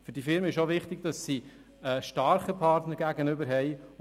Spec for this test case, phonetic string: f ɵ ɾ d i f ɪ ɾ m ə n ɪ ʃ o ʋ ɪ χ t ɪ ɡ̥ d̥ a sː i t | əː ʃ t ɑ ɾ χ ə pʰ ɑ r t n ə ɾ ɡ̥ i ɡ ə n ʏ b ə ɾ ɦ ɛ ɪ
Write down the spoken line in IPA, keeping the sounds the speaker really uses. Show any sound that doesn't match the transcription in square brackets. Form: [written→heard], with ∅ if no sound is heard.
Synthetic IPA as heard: f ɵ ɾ d i f ɪ ɾ m ə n ɪ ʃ o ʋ ɪ χ t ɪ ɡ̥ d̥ [a→ɑ] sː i [t→∅] | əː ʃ t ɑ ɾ χ ə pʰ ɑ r t n ə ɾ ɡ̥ [i→æ] ɡ ə n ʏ b ə ɾ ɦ ɛ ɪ